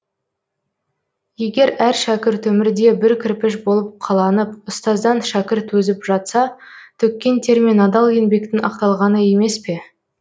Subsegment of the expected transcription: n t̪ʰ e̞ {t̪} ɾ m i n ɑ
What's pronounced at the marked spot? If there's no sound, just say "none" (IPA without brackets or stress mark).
none